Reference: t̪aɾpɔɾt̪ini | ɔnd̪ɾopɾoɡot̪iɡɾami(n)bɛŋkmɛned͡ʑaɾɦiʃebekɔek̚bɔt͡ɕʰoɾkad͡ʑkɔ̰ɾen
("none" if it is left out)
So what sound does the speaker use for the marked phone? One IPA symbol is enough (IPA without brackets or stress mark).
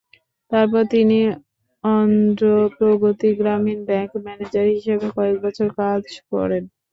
n